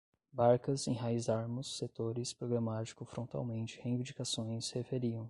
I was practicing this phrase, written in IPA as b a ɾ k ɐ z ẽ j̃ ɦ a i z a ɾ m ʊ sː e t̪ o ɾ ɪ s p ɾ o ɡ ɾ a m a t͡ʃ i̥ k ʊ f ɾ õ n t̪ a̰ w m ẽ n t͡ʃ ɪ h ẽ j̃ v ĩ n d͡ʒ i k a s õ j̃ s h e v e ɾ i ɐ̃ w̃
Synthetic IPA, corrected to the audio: b a ɾ k ɐ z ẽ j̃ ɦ a i z a ɾ m ʊ sː e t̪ o ɾ ɪ s p ɾ o ɡ ɾ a m a t͡ʃ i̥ k ʊ f ɾ õ n t̪ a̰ w m ẽ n t͡ʃ ɪ h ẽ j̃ v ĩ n d͡ʒ i k a s õ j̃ s h e f e ɾ i ɐ̃ w̃